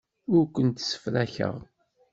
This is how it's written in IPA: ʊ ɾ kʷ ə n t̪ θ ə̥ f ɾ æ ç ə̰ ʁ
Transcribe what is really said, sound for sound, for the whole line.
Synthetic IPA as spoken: ʊ ɾ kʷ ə n t̪ s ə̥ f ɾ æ ç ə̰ ʁ